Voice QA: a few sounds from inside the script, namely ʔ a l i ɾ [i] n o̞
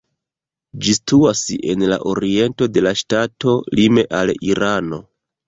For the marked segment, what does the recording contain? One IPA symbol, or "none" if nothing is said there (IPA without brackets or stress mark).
a